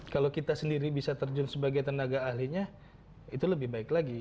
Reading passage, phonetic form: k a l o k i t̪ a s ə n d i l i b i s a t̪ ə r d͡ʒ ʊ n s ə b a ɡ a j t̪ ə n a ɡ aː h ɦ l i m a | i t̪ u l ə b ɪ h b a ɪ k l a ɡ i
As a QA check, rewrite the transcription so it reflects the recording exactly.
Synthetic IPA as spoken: k a l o k i t̪ a s ə n d i ɾ i b i s a t̪ ə r d͡ʒ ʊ n s ə b a ɡ a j t̪ ə n a ɡ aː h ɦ l i ɲ a | i t̪ u l ə b ɪ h b a ɪ k l a ɡ i